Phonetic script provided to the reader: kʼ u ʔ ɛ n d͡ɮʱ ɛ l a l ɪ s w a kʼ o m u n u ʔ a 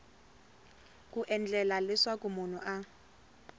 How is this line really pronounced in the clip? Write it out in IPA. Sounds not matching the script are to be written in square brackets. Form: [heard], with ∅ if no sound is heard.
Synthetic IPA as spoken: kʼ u ʔ ɛ n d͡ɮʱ ɛ l a l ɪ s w a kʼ [u] m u n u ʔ a